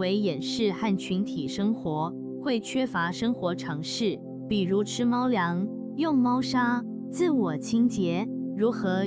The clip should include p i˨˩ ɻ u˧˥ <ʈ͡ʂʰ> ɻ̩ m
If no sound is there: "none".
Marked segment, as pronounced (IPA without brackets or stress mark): ʈ͡ʂʰ